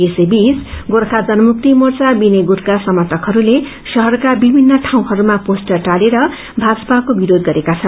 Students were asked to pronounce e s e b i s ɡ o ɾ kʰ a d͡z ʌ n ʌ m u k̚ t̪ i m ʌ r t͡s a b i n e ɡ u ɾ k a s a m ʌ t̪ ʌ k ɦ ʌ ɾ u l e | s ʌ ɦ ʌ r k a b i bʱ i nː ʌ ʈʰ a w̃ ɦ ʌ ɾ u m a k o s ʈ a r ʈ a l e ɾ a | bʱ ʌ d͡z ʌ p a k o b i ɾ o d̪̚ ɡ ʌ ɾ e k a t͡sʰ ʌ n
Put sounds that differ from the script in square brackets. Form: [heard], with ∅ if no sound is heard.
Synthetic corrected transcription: e s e b i s ɡ o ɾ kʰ a d͡z ʌ n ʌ m u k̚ t̪ i m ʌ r t͡s a b i n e ɡ u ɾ k a s [ʌ] m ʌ t̪ ʌ k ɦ ʌ ɾ u l e | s ʌ ɦ ʌ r k a b i bʱ i nː ʌ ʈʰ a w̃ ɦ ʌ ɾ u m a [p] o s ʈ [ʌ] r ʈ a l e ɾ [ʌ] | bʱ [a] d͡z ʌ p a k o b i ɾ o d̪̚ ɡ ʌ ɾ e k a t͡sʰ ʌ n